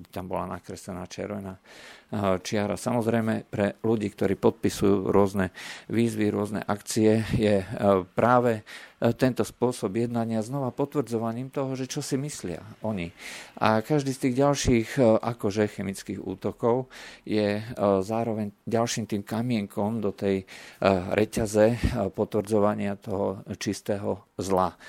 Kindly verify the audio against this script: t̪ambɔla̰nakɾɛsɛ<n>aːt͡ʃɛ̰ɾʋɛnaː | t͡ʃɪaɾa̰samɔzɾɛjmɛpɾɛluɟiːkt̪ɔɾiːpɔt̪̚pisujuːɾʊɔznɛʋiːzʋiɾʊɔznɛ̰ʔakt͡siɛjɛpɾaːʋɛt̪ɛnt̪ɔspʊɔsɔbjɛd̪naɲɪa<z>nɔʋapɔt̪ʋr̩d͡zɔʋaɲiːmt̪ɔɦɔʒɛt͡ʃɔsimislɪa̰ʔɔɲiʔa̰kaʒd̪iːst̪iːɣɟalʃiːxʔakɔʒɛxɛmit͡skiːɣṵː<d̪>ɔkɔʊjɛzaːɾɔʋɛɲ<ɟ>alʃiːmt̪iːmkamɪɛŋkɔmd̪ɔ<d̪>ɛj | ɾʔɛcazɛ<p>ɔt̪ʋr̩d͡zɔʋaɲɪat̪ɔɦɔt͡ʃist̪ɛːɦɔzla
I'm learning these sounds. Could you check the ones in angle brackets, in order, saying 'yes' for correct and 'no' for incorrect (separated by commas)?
yes, yes, no, yes, no, yes